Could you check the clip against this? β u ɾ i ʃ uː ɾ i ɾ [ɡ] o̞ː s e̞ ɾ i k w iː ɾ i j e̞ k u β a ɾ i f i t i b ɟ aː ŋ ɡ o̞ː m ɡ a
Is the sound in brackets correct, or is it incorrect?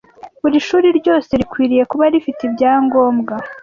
incorrect